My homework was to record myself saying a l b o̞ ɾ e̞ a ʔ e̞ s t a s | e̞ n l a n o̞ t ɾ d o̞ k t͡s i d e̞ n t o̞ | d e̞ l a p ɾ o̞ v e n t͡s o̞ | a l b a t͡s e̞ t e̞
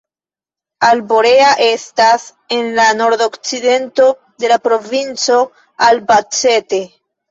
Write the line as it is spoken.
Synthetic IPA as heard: a l b o̞ ɾ e̞ a ʔ e̞ s t a s | e̞ n l a n o̞ ɾ d o̞ k t͡s i d e̞ n t o̞ | d e̞ l a p ɾ o̞ v i n t͡s o̞ | a l b a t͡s e̞ t e̞